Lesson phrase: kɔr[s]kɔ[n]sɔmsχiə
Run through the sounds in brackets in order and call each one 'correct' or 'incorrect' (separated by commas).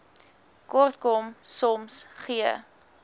incorrect, incorrect